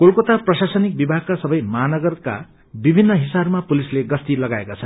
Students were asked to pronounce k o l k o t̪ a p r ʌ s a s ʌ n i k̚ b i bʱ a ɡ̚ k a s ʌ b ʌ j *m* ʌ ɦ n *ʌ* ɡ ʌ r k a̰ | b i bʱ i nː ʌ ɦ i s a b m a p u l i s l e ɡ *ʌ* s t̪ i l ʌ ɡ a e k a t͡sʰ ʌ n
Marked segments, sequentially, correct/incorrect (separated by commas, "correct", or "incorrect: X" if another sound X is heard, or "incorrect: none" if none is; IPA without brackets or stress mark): correct, correct, correct